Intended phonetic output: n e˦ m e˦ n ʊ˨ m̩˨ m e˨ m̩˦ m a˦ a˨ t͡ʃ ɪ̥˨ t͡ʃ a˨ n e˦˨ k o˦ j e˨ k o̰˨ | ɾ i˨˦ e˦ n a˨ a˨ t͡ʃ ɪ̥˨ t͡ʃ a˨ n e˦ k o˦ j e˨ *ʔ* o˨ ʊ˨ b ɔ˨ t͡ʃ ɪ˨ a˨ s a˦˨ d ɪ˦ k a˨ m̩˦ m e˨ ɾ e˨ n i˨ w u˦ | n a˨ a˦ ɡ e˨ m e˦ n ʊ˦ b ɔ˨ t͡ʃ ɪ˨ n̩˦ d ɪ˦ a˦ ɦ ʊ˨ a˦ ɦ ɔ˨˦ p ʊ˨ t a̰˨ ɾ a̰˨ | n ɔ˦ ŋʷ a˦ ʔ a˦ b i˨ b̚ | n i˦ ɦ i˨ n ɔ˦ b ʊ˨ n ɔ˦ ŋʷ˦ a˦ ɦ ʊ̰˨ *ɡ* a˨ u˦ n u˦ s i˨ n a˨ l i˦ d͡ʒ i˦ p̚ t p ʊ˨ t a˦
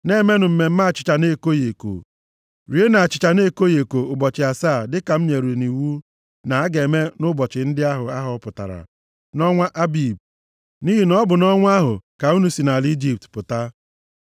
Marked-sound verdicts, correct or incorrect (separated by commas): incorrect, incorrect